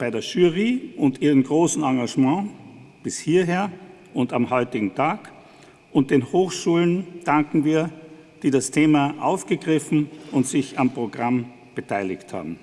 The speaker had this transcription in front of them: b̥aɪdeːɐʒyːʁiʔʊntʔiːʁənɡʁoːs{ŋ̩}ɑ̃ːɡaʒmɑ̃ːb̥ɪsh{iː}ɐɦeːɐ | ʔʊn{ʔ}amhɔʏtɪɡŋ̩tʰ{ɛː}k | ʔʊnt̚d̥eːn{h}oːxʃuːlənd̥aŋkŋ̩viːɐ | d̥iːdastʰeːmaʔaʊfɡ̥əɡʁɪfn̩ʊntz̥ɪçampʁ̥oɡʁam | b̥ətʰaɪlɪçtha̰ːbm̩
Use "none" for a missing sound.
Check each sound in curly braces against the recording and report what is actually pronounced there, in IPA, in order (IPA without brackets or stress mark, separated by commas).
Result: n̩, iː, t, aː, h